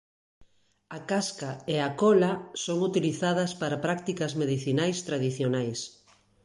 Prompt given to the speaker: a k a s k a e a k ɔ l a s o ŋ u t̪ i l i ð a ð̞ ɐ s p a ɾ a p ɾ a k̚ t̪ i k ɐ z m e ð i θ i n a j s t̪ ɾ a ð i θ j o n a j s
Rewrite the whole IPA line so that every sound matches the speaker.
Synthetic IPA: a k a s k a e a k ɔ l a s o ŋ u t̪ i l i θ a ð̞ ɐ s p a ɾ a p ɾ a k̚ t̪ i k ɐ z m e ð i θ i n a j s t̪ ɾ a ð i θ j o n a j s